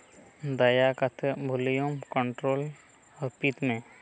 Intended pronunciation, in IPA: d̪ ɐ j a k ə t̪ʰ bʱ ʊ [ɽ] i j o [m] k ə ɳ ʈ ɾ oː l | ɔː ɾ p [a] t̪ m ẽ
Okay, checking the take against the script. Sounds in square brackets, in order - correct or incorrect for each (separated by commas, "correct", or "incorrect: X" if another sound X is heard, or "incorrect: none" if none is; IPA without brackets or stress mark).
incorrect: l, correct, incorrect: i